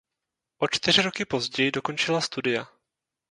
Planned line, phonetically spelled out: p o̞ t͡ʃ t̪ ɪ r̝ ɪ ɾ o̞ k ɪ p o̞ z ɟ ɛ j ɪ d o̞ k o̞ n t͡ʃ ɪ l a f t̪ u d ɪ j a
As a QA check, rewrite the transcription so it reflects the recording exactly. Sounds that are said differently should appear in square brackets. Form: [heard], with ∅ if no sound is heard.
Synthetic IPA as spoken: [ʔ] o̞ t͡ʃ t̪ ɪ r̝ ɪ ɾ o̞ k ɪ p o̞ z ɟ ɛ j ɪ d o̞ k o̞ n t͡ʃ ɪ l a [s] t̪ u d ɪ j a